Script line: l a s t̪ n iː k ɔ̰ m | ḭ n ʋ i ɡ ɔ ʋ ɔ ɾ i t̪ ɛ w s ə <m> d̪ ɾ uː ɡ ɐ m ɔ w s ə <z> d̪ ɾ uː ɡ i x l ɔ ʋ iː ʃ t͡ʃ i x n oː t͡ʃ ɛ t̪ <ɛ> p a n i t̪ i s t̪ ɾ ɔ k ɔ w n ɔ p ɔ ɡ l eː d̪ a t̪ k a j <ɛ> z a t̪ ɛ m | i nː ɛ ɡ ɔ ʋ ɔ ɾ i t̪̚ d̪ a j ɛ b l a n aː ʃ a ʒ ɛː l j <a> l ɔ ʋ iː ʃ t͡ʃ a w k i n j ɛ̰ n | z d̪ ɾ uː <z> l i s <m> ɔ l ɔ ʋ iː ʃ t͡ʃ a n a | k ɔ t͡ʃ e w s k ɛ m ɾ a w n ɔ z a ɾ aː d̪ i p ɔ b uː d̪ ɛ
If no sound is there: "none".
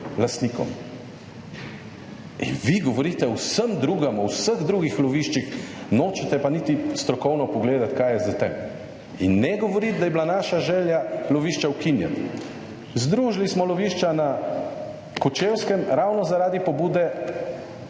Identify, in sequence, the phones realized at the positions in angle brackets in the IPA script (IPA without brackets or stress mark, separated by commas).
m, ɣ, ɛ, ɛ, a, ʒ, m